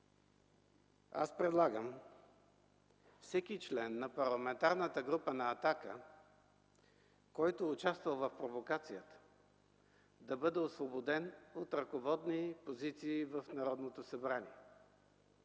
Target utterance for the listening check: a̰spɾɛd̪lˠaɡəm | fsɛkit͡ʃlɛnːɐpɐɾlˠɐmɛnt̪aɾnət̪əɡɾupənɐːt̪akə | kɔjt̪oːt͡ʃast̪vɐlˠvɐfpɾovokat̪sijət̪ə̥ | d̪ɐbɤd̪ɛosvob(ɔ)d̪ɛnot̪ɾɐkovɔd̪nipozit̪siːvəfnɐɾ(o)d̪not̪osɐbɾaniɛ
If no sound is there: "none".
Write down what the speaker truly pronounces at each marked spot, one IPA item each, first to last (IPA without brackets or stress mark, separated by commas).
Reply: o, ɔ